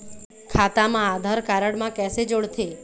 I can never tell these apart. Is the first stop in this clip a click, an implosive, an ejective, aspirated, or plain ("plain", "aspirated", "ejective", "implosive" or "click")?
aspirated